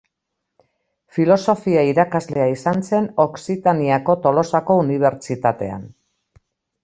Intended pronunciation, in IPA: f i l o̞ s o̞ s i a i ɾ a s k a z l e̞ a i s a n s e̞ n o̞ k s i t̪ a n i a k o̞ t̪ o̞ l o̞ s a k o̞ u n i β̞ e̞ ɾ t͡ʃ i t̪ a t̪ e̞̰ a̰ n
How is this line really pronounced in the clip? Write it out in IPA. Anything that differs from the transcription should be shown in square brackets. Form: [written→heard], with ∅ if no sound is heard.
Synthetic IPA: f i l o̞ s o̞ [s→f] i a i ɾ a [s→∅] k a z l e̞ a i s a n s e̞ n o̞ k s i t̪ a n i a k o̞ t̪ o̞ l o̞ s a k o̞ u n i β̞ e̞ ɾ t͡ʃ i t̪ a t̪ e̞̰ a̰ n